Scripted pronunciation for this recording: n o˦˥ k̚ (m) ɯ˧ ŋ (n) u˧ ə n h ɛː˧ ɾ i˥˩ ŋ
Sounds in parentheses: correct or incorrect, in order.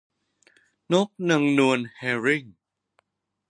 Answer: incorrect: n, correct

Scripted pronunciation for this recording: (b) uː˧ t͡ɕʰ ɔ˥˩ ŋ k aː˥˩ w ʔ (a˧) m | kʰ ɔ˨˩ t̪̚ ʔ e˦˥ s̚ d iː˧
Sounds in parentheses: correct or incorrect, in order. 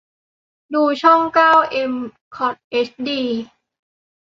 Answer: incorrect: d, incorrect: e˧

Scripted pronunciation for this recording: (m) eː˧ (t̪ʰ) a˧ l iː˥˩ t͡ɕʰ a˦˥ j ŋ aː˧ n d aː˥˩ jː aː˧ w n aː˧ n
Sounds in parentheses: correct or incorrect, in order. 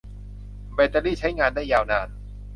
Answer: incorrect: b, incorrect: t̪

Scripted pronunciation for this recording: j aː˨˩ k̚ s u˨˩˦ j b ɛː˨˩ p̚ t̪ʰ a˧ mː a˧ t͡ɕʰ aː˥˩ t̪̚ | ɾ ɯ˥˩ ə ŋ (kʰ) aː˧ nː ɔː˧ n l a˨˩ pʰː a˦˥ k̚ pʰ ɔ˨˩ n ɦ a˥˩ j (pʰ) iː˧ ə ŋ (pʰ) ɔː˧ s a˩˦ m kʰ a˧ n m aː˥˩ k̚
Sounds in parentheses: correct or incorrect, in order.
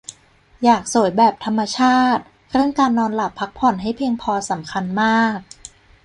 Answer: incorrect: k, correct, correct

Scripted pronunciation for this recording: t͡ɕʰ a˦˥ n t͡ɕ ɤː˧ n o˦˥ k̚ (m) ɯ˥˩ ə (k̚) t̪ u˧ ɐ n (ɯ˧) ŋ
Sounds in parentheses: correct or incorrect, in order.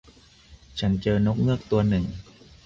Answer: incorrect: ŋ, correct, incorrect: ɯ˨˩

